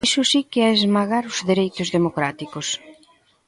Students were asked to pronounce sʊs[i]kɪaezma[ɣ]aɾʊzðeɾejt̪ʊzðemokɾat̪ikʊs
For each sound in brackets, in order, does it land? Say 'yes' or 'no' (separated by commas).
yes, yes